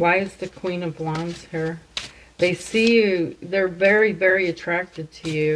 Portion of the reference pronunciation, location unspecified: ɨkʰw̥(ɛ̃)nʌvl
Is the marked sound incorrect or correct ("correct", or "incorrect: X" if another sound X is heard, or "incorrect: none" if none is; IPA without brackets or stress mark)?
incorrect: ĩ